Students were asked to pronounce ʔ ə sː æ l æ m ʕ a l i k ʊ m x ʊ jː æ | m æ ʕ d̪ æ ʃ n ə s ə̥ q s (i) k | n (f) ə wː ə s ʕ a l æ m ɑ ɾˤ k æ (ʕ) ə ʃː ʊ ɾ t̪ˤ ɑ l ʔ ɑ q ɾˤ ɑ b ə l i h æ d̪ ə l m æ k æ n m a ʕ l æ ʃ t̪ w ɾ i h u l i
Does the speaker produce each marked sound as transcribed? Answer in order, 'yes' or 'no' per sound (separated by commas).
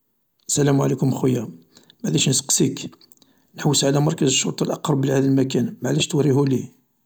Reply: yes, no, no